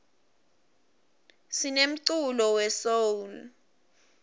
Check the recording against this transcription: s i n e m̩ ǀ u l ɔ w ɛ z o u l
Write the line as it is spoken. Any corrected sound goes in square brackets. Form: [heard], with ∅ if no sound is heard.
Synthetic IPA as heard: s i n e m̩ ǀ u l ɔ w ɛ [s] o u l